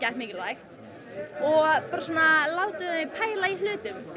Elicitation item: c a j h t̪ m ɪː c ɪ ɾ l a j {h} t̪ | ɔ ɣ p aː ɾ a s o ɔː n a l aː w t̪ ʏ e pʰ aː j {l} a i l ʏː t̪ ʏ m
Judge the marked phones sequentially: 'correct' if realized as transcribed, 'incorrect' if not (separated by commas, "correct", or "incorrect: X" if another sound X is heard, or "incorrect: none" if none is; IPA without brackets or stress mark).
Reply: incorrect: x, correct